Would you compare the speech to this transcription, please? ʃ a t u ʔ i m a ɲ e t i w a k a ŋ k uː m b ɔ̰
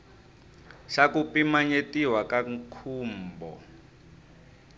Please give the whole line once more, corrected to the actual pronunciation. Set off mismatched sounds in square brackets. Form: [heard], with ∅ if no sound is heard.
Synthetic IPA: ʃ a [k] u [p] i m a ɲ e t i w a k a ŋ [kʰ] uː m b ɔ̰